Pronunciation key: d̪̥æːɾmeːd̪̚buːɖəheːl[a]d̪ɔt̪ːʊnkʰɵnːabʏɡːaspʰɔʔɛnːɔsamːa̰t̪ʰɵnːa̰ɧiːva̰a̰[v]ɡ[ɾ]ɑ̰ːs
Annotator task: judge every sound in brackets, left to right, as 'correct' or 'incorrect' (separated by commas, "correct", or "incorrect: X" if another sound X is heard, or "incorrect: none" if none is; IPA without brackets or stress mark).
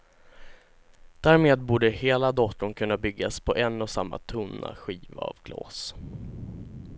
correct, correct, incorrect: l